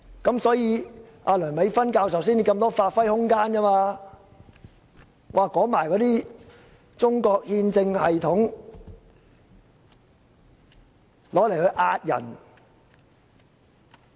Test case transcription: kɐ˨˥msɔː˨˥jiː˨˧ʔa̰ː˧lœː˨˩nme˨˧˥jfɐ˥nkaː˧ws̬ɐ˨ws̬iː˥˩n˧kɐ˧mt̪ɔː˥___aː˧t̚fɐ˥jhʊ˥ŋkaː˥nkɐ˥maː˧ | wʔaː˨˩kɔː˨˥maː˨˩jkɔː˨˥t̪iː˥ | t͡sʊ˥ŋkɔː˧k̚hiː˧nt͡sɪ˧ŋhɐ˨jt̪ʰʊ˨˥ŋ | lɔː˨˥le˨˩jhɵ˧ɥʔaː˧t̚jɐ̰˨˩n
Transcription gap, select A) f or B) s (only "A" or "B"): A